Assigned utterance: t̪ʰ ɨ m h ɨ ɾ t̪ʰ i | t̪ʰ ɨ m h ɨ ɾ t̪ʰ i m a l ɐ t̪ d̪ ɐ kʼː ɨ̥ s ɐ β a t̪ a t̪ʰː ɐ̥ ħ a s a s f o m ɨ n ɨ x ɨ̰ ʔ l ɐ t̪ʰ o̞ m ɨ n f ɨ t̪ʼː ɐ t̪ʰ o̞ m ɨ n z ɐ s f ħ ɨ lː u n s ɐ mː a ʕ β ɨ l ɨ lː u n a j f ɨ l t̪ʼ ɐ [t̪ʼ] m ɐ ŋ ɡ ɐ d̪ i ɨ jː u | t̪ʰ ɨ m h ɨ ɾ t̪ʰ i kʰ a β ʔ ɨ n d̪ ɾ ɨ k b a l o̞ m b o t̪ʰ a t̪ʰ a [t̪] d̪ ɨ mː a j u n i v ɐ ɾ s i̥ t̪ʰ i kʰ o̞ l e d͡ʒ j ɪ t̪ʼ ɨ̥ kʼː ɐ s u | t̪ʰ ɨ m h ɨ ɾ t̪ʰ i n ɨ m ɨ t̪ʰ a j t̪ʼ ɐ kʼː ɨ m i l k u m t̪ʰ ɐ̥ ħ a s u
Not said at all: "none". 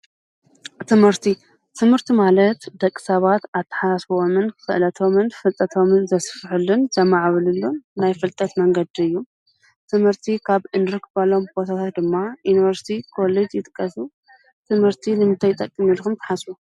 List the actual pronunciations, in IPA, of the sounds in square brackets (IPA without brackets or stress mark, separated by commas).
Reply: t̪, t̪